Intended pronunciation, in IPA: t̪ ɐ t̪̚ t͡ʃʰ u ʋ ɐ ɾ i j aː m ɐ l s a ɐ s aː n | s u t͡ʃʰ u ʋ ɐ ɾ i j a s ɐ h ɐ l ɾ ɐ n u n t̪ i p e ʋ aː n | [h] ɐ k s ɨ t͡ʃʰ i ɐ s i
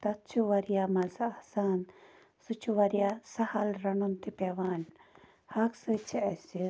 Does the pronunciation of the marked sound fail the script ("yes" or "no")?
no